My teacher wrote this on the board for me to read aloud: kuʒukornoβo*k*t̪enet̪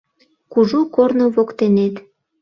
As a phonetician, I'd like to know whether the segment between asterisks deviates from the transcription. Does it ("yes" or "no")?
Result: no